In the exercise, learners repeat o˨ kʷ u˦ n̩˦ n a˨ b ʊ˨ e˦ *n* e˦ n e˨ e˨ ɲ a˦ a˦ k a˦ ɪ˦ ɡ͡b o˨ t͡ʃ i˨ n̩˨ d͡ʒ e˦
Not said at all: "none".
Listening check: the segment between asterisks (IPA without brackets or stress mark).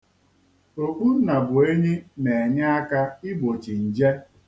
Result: ɲ